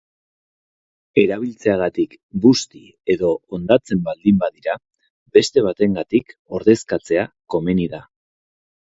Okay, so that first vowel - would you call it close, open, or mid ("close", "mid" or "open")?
mid